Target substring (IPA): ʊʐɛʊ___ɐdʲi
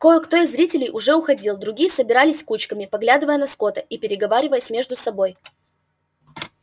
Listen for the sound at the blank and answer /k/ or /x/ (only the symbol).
x